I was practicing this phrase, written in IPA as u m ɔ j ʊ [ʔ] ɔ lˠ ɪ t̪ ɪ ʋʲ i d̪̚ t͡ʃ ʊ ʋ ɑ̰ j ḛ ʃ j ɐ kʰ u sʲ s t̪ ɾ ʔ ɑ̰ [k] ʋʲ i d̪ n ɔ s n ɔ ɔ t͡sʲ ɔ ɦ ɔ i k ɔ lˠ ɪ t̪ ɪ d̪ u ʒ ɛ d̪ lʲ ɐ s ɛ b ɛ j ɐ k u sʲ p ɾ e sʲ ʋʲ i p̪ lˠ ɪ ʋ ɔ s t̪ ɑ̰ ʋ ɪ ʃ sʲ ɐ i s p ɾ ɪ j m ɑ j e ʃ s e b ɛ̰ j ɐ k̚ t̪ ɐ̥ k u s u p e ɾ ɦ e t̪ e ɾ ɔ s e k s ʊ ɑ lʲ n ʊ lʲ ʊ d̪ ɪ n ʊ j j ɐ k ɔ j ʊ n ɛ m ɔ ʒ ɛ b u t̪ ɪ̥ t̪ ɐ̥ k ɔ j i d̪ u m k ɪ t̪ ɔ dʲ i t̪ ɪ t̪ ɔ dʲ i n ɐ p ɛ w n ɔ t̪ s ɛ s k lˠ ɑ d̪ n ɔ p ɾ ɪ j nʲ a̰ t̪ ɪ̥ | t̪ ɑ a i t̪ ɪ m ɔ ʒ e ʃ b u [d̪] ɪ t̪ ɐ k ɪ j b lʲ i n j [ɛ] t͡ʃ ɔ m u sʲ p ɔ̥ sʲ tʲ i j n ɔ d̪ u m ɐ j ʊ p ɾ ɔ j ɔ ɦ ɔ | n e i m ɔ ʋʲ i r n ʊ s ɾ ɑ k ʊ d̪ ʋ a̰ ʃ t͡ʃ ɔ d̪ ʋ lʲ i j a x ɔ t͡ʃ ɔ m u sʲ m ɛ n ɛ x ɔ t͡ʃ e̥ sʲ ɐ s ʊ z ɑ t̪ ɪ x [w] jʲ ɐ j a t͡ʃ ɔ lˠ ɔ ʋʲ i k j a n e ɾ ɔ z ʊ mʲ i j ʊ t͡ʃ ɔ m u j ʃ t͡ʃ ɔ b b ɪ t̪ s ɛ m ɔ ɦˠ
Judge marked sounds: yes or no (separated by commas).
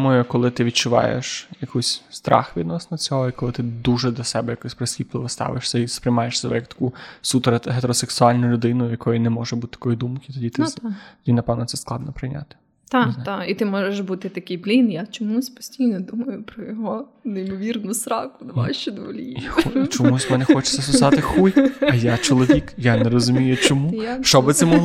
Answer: no, no, no, no, no